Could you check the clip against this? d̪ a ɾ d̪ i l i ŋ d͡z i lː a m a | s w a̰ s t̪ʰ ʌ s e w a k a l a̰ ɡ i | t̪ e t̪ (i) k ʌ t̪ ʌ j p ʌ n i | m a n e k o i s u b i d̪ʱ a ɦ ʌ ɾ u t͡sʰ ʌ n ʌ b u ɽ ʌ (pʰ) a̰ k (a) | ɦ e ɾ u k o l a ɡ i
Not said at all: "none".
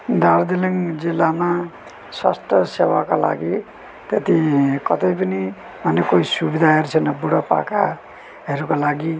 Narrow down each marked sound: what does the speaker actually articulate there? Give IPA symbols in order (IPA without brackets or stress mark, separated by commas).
i, p, a